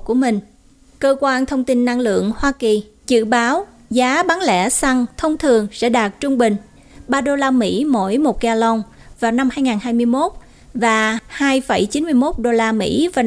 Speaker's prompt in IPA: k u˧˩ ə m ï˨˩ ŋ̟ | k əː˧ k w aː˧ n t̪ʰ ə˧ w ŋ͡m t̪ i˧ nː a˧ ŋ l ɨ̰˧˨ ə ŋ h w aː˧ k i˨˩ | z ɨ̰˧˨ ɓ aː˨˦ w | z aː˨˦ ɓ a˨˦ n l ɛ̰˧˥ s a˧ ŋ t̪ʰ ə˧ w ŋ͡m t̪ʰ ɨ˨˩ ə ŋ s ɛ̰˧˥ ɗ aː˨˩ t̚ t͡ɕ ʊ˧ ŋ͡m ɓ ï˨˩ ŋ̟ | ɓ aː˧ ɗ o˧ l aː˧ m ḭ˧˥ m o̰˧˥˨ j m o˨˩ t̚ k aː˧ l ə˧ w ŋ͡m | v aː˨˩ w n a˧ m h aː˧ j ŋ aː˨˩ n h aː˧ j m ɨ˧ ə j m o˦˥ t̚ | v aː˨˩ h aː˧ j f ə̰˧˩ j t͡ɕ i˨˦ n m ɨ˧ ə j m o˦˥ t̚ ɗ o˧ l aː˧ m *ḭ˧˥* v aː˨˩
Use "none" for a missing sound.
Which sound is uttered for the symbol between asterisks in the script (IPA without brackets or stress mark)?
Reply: ḭ˧˥